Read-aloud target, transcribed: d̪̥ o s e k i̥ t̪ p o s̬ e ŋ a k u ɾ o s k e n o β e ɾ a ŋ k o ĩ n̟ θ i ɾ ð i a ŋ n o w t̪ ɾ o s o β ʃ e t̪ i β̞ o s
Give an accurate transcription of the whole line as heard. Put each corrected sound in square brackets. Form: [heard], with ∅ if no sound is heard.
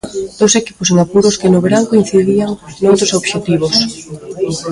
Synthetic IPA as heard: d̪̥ o s e k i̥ [∅] p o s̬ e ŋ a [p] u ɾ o s k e n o β e ɾ a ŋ k o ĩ n̟ θ i [∅] ð i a ŋ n o w t̪ ɾ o s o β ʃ e t̪ i β̞ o s